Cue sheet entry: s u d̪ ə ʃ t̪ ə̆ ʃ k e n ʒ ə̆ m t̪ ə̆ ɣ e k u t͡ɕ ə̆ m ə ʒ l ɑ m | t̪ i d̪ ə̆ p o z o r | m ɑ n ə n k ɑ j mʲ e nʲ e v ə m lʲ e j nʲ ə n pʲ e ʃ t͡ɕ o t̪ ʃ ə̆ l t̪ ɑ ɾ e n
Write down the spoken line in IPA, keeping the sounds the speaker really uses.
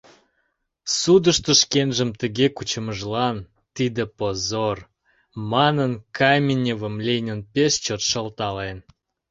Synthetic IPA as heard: s u d̪ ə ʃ t̪ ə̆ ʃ k e n ʒ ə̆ m t̪ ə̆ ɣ e k u t͡ɕ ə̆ m ə ʒ l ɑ n | t̪ i d̪ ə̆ p o z o r | m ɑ n ə n k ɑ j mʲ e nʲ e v ə m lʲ e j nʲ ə n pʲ e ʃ t͡ɕ o t̪ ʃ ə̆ l t̪ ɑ l e n